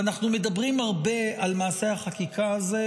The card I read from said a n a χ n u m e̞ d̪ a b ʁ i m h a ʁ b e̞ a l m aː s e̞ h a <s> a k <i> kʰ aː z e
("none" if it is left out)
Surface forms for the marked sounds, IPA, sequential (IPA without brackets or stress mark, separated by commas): χ, i